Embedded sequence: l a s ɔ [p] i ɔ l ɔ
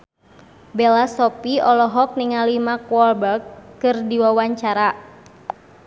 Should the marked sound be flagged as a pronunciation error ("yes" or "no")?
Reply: no